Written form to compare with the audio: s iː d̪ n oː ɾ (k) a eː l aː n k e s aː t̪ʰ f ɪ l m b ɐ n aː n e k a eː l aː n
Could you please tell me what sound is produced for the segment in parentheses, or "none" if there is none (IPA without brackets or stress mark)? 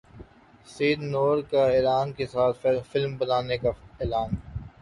k